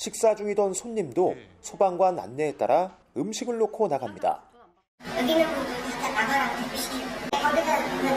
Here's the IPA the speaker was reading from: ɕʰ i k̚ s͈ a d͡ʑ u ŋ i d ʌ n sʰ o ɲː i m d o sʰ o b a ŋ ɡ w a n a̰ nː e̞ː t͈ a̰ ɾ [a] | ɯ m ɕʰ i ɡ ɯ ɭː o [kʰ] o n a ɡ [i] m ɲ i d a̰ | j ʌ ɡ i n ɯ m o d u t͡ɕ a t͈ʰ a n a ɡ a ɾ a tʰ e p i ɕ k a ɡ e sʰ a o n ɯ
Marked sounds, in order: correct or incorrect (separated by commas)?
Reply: correct, correct, incorrect